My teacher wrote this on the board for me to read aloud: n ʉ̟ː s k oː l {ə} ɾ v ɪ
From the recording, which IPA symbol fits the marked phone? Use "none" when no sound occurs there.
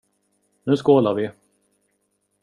a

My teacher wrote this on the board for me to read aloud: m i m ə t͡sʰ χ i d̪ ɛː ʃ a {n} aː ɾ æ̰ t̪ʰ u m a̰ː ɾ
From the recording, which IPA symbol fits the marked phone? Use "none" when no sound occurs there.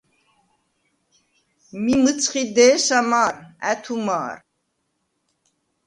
m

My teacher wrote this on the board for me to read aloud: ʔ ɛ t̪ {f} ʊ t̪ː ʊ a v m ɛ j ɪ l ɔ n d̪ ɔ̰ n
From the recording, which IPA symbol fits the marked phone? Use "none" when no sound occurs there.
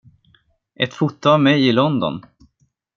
f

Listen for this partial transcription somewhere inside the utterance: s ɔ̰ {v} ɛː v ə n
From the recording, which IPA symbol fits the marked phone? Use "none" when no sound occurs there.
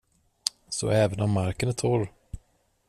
none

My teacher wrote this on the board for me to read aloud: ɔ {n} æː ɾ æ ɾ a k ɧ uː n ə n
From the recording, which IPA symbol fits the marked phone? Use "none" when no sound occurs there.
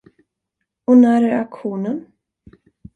n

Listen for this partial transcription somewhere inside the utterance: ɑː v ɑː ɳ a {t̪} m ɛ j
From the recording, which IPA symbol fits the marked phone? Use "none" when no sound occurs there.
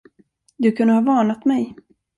t̪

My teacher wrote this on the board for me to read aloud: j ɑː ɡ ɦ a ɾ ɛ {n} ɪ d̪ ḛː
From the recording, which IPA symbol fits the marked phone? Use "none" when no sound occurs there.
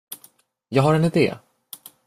n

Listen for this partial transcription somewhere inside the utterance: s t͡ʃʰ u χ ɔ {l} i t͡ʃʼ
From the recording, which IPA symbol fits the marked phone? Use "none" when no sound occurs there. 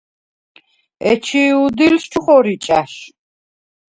ɾ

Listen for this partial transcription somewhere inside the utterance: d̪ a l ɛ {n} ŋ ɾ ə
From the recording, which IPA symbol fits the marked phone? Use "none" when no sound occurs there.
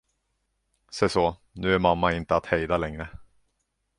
none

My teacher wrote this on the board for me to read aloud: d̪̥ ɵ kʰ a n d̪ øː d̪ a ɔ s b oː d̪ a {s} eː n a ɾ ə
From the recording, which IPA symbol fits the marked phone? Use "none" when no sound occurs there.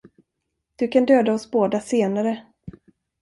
s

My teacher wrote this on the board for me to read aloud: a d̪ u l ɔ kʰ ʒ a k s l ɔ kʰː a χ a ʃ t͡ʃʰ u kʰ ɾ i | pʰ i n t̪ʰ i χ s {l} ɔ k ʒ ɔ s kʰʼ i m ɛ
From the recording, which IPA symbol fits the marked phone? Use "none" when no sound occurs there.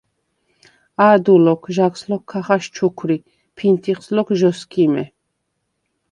l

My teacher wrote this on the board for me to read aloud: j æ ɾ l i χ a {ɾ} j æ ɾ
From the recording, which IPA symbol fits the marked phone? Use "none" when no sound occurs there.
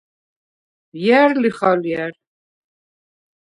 l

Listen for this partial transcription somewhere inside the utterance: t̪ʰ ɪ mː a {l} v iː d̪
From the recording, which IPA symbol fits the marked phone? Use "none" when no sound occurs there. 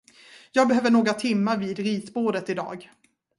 ɾ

